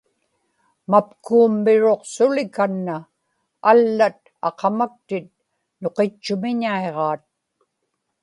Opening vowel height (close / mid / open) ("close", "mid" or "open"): open